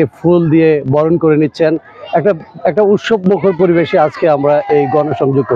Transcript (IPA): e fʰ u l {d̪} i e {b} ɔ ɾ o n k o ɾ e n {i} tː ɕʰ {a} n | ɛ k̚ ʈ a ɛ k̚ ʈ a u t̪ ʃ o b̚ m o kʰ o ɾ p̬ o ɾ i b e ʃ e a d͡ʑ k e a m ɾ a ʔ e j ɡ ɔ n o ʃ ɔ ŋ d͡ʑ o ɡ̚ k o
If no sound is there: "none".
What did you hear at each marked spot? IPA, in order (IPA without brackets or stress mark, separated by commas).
d̪, b, i, e